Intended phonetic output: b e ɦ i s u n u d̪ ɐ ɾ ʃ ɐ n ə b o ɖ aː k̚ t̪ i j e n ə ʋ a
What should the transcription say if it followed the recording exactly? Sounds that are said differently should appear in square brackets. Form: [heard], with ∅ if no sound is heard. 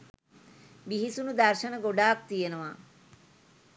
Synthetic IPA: b [i] ɦ i s u n u d̪ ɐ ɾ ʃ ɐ n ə [ɡ] o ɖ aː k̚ t̪ i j e n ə ʋ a